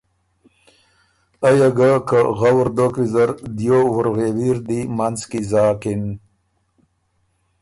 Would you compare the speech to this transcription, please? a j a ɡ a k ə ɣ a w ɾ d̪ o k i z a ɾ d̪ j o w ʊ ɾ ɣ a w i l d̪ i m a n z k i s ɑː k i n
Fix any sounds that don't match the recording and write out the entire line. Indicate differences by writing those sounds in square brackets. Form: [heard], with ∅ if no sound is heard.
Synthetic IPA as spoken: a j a ɡ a k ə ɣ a w ɾ d̪ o k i z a ɾ d̪ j o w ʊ ɾ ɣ [e] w i [ɾ] d̪ i m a n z k i [z] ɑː k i n